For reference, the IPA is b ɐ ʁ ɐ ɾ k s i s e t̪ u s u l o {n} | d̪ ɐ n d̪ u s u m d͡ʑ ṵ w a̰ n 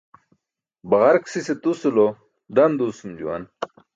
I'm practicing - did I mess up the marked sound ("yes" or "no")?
yes